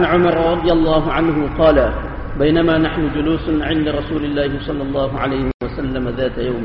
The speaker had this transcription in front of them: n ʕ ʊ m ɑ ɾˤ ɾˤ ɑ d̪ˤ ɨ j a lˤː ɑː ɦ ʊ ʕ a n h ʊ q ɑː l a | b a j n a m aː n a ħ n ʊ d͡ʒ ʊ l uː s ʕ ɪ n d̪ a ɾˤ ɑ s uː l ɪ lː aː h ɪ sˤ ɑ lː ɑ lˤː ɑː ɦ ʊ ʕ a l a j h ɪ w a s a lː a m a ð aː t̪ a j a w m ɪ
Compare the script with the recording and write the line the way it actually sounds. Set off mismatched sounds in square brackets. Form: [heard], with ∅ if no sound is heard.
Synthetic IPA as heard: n ʕ ʊ m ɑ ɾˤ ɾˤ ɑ d̪ˤ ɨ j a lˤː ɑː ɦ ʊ ʕ a n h ʊ q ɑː l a | b a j n a m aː n a ħ n ʊ d͡ʒ ʊ l uː s ʕ ɪ n d̪ a ɾˤ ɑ s uː l ɪ lː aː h ɪ sˤ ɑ lː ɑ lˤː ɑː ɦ ʊ ʕ a l a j h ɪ w a s a lː a m a ð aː t̪ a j a w m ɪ